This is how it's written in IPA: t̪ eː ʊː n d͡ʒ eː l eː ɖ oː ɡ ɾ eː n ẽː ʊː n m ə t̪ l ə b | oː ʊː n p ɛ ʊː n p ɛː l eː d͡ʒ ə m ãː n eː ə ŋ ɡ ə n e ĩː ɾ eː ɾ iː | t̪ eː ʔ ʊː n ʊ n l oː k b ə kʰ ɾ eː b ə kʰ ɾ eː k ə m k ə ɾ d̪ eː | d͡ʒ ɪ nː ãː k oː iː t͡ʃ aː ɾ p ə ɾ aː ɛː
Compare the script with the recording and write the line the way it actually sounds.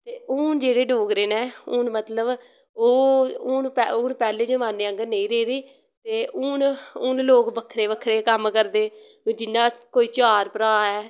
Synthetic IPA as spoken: t̪ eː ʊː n d͡ʒ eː ɽ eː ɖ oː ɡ ɾ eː n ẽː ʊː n m ə t̪ l ə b | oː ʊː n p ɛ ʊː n p ɛː l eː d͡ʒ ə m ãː n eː ə ŋ ɡ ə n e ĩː ɾ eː ɾ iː | t̪ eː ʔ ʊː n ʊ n l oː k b ə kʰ ɾ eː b ə kʰ ɾ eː k ə m k ə ɾ d̪ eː | d͡ʒ ɪ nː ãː k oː iː t͡ʃ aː ɾ p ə ɾ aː ɛː